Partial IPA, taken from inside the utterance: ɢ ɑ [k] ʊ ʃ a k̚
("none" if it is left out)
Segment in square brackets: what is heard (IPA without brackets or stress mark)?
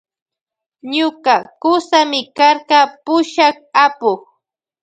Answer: p